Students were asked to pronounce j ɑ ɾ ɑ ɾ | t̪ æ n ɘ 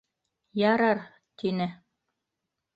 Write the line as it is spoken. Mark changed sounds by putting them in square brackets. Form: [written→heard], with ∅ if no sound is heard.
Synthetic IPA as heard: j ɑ ɾ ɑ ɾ | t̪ [æ→i] n ɘ